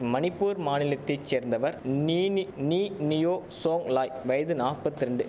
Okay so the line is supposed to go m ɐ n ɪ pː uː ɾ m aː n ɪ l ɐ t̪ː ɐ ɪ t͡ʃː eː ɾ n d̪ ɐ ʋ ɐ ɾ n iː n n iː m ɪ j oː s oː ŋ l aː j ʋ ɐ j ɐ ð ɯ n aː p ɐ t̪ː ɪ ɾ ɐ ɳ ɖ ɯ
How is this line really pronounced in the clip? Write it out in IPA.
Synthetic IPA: m ɐ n ɪ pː uː ɾ m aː n ɪ l ɐ t̪ː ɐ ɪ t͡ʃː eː ɾ n d̪ ɐ ʋ ɐ ɾ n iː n n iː n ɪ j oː s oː ŋ l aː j ʋ ɐ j ɐ ð ɯ n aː p ɐ t̪ː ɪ ɾ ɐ ɳ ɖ ɯ